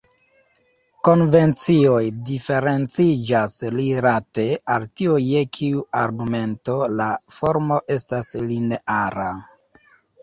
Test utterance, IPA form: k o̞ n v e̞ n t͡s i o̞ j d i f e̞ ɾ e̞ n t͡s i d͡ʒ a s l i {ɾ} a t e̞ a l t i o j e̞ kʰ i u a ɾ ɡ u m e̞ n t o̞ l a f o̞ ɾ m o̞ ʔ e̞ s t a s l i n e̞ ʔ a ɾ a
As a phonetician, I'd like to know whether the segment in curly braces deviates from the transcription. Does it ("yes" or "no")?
no